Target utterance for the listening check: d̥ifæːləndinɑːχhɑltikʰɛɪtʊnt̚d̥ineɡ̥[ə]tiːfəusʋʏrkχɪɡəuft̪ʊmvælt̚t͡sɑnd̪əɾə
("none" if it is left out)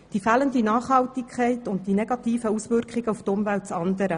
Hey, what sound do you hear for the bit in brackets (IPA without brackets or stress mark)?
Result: ɑ